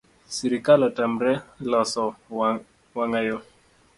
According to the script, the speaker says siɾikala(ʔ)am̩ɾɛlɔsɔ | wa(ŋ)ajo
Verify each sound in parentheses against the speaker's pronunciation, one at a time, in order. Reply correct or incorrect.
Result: incorrect, correct

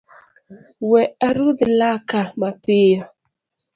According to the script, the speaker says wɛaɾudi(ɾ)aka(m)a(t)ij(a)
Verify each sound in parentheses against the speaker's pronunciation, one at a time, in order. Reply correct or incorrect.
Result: incorrect, correct, incorrect, correct

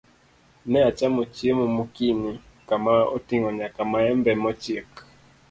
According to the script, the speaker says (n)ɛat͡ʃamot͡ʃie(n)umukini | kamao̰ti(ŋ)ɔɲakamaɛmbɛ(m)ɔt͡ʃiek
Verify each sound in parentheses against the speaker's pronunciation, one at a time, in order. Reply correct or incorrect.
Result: correct, incorrect, correct, correct

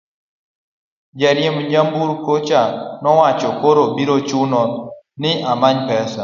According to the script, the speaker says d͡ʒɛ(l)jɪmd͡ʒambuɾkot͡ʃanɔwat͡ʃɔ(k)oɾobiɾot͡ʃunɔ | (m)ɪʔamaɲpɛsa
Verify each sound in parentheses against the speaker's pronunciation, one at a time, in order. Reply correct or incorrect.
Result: incorrect, correct, incorrect

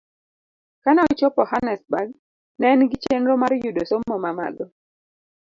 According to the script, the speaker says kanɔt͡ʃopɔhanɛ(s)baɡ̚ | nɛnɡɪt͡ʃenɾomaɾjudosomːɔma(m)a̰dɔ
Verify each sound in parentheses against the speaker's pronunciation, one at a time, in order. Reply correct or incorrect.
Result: correct, correct

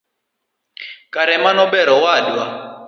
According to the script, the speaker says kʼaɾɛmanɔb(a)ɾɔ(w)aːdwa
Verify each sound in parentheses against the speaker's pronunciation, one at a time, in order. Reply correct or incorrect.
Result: incorrect, correct

